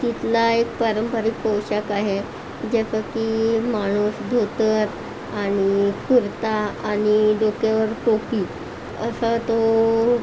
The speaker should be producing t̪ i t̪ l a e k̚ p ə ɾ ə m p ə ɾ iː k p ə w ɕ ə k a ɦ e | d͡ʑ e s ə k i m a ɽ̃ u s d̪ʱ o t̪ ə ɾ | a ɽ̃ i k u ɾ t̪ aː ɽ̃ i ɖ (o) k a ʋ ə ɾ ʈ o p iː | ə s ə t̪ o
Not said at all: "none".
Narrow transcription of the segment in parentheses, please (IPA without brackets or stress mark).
o